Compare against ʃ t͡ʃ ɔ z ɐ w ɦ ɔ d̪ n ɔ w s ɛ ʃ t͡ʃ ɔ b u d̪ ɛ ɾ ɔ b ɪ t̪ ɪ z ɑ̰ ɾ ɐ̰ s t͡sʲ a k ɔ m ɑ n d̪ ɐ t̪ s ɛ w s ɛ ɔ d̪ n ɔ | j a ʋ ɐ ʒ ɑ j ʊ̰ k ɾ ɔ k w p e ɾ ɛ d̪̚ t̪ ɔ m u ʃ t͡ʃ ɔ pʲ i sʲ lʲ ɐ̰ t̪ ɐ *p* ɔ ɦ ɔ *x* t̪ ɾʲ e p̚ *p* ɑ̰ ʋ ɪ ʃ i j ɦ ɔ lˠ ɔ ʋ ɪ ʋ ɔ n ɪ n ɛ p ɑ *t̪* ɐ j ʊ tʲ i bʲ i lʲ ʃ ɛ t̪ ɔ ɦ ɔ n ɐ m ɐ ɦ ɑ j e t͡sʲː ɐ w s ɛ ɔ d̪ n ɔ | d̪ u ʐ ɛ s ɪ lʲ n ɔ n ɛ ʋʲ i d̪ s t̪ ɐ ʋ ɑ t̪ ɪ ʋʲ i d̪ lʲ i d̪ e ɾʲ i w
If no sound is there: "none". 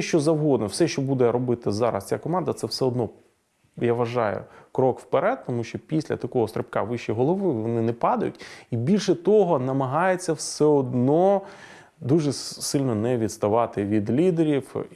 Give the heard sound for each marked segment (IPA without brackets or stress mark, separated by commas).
k, s, k, d̪